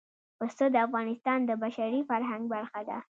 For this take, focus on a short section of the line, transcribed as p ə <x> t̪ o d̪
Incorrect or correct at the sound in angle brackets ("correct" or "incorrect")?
incorrect